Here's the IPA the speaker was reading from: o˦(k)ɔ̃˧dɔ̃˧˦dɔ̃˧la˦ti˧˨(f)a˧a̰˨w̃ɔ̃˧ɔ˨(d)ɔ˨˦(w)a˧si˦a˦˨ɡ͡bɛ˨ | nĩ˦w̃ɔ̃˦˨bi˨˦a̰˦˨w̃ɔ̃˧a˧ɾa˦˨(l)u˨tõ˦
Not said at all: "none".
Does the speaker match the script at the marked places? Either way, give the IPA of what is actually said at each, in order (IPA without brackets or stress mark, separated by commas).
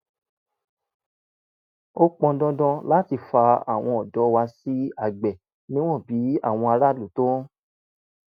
k͡p, f, d, w, l